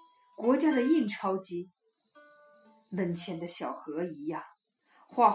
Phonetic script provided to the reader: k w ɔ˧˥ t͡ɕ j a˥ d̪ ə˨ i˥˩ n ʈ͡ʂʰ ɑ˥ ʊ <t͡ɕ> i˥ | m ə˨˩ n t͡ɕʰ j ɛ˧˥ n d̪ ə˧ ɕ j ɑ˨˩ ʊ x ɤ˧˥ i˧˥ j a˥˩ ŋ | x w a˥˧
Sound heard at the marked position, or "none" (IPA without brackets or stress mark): t͡ɕ